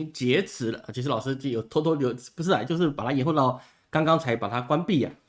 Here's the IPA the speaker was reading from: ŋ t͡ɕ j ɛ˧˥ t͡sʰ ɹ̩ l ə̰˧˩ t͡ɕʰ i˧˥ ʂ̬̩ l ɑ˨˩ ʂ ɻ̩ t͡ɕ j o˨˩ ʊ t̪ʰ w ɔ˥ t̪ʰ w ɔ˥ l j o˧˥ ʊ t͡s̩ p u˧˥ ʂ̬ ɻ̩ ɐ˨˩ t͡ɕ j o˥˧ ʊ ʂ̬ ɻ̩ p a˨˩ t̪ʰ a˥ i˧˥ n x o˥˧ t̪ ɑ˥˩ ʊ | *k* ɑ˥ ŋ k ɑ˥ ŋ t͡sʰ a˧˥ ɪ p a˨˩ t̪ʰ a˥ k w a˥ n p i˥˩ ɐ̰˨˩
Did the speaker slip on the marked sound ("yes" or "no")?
no